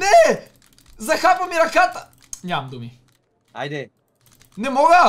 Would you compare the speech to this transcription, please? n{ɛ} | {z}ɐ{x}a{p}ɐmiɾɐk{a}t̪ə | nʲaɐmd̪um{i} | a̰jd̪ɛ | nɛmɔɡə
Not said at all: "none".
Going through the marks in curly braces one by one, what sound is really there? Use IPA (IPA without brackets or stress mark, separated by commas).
ɛ, z, x, p, a, i